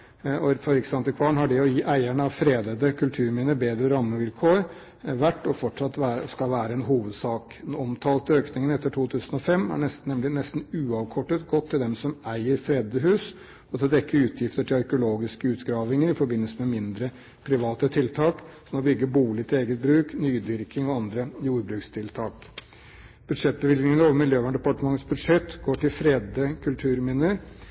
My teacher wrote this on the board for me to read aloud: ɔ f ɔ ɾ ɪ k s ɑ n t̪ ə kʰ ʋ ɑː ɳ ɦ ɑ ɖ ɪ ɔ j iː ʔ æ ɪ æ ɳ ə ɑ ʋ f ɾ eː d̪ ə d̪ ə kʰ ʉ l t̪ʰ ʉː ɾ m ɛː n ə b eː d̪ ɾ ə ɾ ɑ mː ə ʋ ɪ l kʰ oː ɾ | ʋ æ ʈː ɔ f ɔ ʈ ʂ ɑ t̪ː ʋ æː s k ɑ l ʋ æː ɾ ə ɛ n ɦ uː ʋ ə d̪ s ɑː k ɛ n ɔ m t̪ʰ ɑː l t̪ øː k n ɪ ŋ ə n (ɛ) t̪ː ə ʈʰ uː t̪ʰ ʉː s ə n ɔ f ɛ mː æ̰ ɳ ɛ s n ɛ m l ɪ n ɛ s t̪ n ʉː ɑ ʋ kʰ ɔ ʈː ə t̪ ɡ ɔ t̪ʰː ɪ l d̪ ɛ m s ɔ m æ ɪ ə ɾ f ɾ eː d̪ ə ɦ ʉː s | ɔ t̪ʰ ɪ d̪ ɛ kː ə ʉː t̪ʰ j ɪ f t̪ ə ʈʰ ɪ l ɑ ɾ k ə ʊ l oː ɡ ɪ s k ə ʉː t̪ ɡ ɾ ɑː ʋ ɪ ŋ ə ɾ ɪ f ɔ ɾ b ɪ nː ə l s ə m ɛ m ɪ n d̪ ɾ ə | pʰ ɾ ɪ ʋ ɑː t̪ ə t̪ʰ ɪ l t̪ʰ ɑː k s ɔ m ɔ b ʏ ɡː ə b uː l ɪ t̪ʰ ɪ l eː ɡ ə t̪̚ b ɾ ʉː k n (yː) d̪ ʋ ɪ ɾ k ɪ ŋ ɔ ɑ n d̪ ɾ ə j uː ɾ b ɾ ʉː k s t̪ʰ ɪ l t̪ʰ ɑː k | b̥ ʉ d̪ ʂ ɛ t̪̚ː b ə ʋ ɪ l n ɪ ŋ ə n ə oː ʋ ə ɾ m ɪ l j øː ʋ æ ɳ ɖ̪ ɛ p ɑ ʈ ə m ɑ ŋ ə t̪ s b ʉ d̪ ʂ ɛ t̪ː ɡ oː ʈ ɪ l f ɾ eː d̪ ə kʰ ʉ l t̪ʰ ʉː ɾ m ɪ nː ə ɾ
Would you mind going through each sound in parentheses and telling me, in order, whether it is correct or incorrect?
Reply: correct, correct

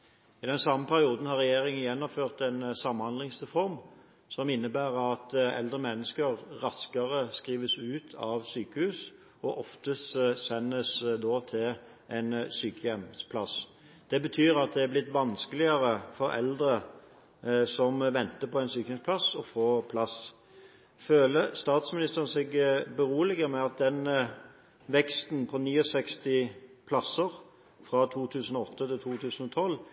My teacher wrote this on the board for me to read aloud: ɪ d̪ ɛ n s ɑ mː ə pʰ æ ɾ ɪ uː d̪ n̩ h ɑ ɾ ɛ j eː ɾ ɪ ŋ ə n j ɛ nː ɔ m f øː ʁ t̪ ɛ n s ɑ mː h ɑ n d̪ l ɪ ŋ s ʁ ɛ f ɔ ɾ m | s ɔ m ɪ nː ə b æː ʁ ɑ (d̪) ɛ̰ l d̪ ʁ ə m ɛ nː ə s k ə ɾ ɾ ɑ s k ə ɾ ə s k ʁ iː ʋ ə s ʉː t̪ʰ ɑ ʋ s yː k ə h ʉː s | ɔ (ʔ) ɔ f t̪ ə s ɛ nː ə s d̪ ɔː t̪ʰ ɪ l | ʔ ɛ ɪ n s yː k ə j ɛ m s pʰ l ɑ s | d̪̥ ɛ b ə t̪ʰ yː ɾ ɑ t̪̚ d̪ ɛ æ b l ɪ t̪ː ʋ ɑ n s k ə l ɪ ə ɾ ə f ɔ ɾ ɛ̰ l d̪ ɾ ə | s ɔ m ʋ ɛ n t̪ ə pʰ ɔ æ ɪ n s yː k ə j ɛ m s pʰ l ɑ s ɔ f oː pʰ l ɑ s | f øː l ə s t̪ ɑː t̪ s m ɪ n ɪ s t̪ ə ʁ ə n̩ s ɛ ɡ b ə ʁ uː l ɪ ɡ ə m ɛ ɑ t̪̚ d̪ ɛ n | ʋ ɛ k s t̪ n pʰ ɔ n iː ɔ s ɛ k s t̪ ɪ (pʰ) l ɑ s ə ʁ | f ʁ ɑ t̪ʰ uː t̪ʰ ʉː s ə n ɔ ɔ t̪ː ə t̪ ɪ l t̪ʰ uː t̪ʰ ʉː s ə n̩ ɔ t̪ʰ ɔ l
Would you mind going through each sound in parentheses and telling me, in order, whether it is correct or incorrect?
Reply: incorrect: t̪, correct, correct

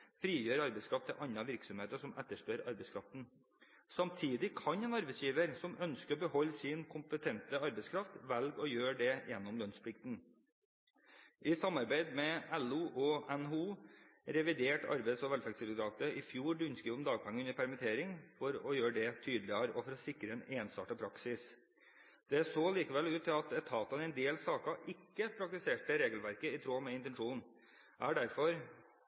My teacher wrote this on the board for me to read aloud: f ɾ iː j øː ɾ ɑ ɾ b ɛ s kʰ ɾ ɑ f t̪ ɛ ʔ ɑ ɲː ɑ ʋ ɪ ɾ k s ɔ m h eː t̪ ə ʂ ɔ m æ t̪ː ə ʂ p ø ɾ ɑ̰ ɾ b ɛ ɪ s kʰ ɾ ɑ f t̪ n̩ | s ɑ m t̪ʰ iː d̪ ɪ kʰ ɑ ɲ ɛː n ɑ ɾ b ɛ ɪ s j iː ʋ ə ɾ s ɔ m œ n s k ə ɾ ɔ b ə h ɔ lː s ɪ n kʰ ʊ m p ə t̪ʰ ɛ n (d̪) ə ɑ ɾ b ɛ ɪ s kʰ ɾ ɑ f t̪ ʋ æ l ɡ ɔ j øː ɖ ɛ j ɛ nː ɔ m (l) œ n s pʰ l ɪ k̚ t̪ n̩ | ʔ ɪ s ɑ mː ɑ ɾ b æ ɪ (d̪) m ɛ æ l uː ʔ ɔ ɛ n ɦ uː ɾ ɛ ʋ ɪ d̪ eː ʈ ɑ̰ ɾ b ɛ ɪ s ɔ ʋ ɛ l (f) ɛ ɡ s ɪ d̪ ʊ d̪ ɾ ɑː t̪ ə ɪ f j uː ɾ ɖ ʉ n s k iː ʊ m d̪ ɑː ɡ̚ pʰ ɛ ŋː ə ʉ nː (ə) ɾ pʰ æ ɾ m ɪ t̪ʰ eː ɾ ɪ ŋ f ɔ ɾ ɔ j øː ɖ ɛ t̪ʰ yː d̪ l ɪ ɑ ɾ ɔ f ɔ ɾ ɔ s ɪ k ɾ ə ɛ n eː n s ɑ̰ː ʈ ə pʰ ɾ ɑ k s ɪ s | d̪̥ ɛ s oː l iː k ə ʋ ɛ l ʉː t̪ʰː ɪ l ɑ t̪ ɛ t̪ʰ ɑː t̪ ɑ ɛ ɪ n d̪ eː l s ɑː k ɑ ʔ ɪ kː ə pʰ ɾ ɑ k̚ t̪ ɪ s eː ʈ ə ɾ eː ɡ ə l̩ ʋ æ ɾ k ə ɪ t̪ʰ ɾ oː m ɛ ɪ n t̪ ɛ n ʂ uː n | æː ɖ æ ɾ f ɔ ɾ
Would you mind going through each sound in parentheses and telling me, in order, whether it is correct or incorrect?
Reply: incorrect: t̪, correct, correct, correct, correct

